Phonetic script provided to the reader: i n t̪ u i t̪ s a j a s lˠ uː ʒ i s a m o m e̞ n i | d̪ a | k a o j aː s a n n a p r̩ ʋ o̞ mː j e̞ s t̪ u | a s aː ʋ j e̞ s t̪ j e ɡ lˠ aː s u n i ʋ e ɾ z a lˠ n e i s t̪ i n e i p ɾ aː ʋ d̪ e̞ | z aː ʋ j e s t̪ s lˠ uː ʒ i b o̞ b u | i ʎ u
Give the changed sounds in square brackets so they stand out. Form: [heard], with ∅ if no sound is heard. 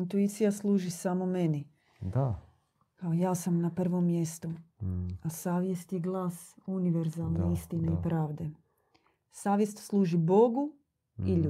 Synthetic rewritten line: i n t̪ u i t̪ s [i] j a s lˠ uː ʒ i s a m o m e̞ n i | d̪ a | k a o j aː s a [m] n a p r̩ ʋ o̞ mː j e̞ s t̪ u | a s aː ʋ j e̞ s t̪ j e ɡ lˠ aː s u n i ʋ e ɾ z a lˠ n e i s t̪ i n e i p ɾ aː ʋ d̪ e̞ | [s] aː ʋ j e s t̪ s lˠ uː ʒ i b o̞ [ɡ] u | i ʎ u